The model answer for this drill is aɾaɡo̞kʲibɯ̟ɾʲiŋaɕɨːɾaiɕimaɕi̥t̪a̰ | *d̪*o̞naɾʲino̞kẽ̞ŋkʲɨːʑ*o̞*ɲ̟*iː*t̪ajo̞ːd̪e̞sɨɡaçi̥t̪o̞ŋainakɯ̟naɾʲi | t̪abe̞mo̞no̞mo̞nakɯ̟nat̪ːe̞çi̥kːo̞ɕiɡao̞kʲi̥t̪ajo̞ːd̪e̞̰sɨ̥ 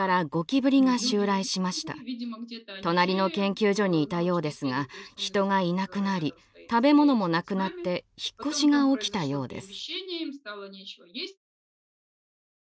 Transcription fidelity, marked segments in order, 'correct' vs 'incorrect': incorrect, correct, correct

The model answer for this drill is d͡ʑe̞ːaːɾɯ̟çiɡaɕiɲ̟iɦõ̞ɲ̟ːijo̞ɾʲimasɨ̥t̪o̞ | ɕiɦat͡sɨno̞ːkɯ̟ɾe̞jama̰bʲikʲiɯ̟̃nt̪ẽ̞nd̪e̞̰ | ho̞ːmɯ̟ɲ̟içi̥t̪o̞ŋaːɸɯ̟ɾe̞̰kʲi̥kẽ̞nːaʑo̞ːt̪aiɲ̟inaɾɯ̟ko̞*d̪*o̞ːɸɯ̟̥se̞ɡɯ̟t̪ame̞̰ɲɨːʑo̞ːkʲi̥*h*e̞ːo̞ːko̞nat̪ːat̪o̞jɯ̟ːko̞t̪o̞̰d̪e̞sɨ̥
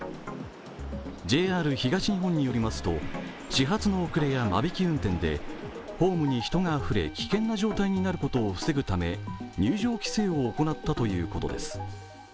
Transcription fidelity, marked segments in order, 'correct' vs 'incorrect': incorrect, incorrect

